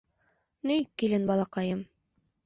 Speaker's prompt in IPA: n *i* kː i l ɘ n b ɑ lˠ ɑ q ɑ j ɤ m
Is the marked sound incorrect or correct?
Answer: correct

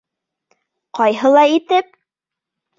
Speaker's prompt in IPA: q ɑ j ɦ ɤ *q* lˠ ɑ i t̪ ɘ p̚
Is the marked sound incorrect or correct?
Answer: incorrect: none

